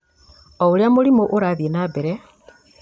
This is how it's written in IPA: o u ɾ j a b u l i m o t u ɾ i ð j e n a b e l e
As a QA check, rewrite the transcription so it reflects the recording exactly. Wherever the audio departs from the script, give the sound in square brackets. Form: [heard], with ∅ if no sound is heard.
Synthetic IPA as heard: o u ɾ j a [m] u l i m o [ʔ] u ɾ [a] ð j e n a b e [ɾ] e